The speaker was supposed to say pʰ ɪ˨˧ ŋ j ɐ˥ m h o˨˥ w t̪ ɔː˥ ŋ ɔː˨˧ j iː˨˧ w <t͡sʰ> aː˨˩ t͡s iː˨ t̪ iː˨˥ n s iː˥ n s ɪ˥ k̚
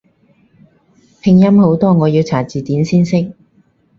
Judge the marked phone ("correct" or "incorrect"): correct